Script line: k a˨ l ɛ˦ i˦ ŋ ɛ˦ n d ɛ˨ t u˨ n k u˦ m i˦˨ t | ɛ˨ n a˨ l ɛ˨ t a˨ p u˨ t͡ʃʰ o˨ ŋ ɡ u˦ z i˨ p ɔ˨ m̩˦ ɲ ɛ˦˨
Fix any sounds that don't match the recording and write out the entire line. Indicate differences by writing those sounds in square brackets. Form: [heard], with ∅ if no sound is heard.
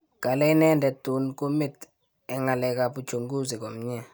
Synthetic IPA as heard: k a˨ l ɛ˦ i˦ [n] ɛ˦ n d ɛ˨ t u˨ n k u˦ m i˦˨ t | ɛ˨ [ŋ] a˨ l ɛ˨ [k] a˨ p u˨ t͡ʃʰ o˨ ŋ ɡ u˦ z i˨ [k] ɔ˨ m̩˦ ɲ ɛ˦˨